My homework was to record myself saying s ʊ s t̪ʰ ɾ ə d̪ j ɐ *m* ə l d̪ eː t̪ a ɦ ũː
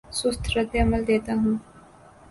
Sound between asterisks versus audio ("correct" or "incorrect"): correct